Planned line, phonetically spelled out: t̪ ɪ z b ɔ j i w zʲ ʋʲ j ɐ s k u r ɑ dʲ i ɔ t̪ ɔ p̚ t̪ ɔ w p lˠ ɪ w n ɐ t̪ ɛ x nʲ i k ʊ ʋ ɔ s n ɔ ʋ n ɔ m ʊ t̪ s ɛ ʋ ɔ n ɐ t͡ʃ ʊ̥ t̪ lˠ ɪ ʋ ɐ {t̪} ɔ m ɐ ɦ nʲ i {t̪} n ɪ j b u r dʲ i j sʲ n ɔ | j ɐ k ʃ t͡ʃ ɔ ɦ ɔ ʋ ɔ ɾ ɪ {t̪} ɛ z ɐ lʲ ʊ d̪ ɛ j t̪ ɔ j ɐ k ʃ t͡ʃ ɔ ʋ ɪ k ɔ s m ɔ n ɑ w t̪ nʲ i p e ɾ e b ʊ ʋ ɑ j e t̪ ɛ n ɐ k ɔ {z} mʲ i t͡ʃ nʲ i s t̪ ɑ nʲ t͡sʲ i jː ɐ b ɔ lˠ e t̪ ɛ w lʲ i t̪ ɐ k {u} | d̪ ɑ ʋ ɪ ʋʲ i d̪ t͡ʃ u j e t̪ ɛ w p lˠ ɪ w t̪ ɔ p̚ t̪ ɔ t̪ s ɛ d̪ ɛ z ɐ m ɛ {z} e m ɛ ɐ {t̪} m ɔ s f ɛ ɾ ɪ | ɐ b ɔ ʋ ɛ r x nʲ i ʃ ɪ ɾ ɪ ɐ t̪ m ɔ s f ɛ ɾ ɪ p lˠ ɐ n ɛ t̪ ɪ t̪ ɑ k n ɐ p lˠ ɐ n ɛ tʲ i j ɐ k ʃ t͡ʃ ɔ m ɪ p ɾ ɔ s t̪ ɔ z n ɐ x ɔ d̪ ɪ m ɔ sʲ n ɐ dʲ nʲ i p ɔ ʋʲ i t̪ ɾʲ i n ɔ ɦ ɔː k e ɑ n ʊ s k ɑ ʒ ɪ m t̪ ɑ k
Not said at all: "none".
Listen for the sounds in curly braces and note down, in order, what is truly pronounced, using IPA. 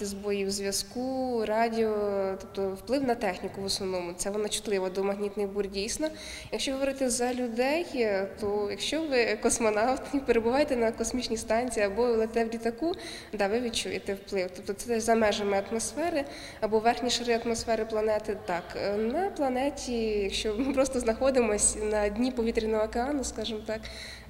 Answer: d̪, t̪, t̪, s, u, ʒ, t̪

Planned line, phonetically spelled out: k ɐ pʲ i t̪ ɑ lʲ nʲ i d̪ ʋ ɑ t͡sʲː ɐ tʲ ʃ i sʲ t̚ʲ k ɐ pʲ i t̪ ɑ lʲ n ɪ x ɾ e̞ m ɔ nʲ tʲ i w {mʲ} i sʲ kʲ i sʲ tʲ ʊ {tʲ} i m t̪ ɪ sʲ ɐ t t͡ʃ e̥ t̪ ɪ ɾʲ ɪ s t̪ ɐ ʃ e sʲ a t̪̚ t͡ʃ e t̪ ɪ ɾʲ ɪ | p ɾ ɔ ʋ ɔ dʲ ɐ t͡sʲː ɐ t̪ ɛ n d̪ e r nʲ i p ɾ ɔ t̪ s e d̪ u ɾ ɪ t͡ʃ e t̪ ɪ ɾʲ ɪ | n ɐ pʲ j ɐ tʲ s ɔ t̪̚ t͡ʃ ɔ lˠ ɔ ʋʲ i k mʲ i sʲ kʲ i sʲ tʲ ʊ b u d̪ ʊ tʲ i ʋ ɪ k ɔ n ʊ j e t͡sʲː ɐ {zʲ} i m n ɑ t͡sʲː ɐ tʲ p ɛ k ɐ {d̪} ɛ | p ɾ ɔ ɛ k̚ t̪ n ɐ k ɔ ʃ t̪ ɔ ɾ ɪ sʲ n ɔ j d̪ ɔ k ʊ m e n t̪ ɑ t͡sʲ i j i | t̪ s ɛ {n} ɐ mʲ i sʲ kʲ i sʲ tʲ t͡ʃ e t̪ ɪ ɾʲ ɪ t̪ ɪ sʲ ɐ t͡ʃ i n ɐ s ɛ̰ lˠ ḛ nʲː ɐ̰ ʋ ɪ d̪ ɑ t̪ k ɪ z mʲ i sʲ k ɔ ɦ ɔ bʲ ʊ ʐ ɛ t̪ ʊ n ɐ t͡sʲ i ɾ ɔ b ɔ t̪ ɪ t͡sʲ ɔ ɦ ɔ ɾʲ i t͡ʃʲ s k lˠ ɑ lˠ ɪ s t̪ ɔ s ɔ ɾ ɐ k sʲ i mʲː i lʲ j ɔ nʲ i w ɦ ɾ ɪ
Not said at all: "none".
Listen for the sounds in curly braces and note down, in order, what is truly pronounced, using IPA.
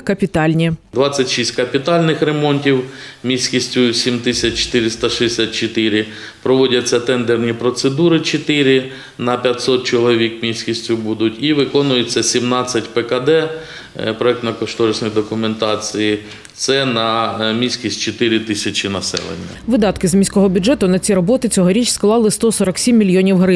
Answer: mʲ, sʲ, sʲ, d̪, n

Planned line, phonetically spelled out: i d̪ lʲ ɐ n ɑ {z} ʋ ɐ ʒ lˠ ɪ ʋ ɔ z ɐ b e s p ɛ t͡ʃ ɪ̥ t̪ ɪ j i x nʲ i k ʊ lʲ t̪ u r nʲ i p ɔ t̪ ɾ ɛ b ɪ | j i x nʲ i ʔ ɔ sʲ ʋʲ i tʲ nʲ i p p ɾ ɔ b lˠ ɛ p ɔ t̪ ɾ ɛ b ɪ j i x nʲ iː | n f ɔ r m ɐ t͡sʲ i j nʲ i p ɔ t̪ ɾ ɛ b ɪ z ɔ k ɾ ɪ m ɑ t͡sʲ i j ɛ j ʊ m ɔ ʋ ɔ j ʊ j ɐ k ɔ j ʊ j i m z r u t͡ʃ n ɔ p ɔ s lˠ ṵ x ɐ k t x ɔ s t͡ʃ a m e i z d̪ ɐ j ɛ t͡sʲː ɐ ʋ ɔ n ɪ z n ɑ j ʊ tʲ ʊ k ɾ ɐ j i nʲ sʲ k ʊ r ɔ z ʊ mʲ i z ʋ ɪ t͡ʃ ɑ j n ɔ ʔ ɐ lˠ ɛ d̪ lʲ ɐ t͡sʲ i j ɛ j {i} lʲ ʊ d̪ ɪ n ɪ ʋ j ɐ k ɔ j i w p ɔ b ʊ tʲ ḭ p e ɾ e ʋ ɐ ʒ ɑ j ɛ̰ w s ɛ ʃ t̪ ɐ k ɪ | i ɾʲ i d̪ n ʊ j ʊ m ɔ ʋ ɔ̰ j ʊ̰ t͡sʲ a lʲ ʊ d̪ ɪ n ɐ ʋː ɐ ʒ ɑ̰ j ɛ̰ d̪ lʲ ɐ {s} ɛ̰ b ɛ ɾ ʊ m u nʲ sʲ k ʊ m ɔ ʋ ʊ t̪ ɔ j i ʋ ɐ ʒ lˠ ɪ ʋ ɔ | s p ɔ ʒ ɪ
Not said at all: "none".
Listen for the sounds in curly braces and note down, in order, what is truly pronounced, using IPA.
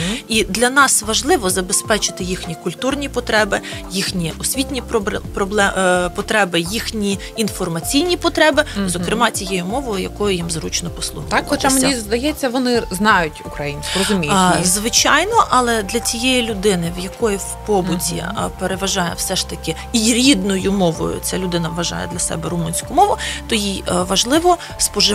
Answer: s, i, s

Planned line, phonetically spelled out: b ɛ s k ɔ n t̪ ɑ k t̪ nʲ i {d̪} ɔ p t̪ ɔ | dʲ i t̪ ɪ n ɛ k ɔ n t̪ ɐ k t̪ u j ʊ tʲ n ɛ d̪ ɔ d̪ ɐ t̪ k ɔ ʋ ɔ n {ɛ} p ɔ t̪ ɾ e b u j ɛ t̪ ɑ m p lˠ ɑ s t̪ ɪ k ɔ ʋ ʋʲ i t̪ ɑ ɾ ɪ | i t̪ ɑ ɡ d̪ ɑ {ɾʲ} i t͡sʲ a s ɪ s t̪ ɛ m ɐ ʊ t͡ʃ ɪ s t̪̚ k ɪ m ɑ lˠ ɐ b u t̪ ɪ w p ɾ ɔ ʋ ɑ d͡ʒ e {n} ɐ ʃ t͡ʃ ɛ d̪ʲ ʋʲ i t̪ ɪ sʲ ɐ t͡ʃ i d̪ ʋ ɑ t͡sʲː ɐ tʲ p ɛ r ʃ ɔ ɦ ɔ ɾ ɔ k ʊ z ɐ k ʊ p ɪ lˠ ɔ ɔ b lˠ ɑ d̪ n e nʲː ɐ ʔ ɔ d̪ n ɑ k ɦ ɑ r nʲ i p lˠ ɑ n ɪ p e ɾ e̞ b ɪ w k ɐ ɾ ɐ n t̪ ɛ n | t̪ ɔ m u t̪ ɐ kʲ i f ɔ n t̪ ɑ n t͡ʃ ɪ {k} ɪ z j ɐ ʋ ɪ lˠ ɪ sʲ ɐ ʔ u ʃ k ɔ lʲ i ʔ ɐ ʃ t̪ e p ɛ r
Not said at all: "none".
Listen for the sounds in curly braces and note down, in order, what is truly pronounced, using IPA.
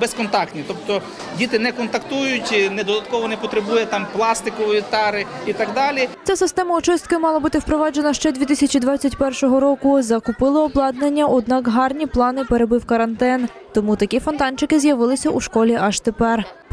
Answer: t̪, ɛ, lʲ, n, k

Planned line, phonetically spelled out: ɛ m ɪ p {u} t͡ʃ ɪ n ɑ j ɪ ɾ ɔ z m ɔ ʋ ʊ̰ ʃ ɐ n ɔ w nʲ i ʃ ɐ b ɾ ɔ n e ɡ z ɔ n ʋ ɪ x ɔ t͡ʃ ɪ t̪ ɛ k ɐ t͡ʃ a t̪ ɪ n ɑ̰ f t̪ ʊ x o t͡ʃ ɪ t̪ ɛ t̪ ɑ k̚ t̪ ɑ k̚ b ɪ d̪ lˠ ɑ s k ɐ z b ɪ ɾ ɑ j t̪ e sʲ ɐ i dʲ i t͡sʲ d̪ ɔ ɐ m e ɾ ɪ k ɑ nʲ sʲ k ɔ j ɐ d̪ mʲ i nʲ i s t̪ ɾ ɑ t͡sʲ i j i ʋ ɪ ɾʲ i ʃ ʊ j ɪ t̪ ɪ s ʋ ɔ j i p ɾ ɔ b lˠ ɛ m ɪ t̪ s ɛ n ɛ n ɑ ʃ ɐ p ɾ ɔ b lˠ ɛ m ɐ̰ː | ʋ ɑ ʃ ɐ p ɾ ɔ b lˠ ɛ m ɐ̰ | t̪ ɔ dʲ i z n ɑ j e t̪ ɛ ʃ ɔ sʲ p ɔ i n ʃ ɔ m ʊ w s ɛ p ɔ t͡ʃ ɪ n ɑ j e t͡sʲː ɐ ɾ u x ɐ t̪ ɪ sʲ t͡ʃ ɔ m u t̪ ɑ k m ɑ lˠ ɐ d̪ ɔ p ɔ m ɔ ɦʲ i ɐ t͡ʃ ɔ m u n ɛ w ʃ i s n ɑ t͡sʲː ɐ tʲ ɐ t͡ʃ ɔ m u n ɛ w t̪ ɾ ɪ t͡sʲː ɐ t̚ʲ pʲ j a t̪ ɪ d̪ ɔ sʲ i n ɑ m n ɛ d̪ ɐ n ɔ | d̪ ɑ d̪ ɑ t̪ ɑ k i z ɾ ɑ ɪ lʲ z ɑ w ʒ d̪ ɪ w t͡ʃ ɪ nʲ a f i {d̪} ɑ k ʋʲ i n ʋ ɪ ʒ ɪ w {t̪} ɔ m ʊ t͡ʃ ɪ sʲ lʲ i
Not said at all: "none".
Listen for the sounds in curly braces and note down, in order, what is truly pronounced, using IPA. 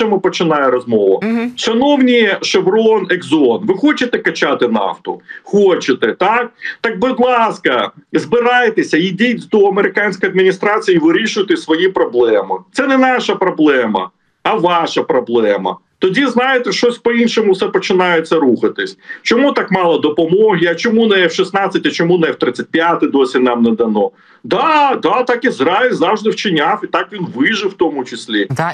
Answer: ɔ, t̪, t̪

